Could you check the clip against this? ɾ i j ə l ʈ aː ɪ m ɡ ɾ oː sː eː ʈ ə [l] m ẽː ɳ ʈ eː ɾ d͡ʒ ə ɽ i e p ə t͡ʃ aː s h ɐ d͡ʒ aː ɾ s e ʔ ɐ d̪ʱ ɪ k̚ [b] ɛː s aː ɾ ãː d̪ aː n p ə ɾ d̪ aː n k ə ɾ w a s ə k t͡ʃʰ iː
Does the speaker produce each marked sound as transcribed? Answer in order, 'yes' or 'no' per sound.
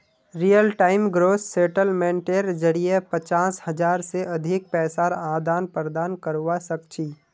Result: yes, no

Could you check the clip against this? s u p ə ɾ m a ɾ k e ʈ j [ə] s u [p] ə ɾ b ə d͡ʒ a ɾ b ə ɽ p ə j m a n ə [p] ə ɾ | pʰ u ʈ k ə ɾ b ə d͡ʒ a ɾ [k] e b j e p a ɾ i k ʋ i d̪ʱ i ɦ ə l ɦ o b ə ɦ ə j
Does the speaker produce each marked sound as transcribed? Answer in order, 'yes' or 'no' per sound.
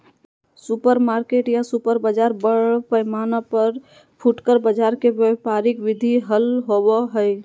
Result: no, yes, yes, yes

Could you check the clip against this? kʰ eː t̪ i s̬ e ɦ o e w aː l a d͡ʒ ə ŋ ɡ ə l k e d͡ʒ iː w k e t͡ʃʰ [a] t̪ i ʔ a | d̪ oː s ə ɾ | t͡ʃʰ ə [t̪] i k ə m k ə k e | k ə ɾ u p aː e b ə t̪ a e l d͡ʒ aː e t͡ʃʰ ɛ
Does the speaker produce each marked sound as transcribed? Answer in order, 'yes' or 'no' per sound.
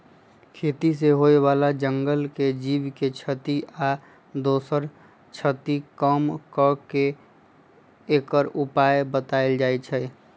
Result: no, yes

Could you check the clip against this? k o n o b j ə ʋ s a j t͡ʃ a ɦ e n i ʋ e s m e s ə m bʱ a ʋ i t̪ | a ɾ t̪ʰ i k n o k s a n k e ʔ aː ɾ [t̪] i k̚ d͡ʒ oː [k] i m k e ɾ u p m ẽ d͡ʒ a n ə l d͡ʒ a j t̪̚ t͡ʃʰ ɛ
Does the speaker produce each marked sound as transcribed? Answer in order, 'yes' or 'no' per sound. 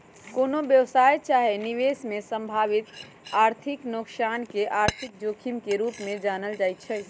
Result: no, no

